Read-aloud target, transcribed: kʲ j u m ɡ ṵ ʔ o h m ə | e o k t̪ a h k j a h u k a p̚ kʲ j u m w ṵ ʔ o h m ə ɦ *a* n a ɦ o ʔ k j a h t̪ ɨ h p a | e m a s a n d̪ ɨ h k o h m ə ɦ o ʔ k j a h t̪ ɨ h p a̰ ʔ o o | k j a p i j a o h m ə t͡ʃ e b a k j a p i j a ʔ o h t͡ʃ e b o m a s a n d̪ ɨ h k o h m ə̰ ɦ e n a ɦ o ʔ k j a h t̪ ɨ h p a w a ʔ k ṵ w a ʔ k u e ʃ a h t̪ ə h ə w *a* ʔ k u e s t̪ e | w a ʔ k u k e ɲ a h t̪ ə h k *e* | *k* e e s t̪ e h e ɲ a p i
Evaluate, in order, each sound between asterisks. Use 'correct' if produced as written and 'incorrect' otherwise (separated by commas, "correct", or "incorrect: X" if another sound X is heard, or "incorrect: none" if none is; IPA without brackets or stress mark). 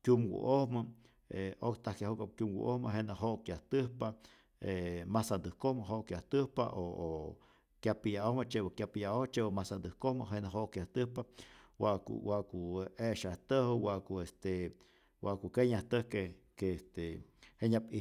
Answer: incorrect: e, correct, correct, correct